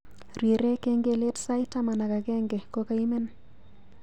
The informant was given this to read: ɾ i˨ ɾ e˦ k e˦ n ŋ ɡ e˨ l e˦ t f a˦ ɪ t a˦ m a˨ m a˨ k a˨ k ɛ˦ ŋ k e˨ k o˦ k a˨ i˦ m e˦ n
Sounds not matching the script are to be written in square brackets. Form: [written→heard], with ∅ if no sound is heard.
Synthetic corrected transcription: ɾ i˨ ɾ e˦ k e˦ [n→∅] ŋ ɡ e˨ l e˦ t [f→s] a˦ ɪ t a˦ m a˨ [m→n] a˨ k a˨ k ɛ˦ ŋ [k→ɡ] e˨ k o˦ k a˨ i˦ m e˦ n